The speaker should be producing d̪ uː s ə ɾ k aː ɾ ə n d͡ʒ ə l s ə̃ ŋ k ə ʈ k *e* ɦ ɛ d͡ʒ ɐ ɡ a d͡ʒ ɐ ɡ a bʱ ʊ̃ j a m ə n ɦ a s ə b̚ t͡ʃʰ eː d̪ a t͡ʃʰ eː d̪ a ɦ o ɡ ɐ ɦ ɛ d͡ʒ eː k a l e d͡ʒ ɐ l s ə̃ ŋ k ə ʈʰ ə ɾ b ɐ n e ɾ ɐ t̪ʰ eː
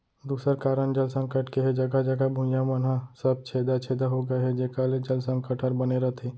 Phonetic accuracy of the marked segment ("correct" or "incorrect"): correct